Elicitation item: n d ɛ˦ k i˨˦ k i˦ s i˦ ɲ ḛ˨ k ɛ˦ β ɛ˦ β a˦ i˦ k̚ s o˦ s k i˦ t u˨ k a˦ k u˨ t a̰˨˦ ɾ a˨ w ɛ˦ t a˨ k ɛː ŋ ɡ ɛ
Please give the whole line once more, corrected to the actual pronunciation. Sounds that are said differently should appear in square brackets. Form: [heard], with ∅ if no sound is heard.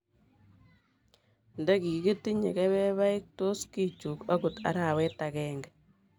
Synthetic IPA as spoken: n d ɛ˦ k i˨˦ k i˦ [t] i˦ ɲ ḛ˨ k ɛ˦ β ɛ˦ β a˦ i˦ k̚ [t] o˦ s k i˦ [t͡ʃ] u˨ k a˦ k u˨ t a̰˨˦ ɾ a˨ w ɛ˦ t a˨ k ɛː ŋ ɡ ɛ